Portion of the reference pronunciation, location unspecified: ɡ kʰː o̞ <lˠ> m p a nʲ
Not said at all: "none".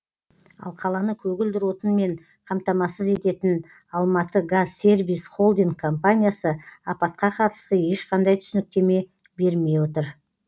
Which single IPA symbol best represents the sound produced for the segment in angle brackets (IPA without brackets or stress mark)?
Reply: none